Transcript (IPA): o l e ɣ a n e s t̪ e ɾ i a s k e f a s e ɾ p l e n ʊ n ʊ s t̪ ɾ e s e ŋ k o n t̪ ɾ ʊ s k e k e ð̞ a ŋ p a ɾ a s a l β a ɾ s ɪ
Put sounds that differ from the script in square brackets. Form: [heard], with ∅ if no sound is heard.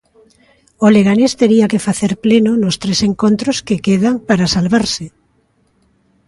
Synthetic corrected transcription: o l e ɣ a n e s t̪ e ɾ i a [∅] k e f a [θ] e ɾ p l e n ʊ n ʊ s t̪ ɾ e s e ŋ k o n t̪ ɾ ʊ s k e k e ð̞ a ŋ p a ɾ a s a l β a ɾ s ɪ